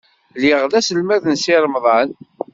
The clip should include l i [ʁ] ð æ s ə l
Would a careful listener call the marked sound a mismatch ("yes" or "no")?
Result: no